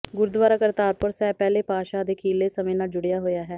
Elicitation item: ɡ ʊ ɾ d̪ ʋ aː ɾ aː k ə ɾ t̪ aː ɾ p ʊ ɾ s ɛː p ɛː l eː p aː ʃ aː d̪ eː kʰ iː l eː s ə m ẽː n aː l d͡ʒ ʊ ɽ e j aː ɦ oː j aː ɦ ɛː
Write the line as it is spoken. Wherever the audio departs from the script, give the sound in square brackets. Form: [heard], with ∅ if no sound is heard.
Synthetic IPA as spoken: ɡ ʊ ɾ d̪ ʋ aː ɾ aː k ə ɾ t̪ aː ɾ p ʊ ɾ s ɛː p ɛː l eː p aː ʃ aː d̪ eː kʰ iː l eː s ə m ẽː n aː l d͡ʒ ʊ ɽ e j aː ɦ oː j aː ɦ ɛː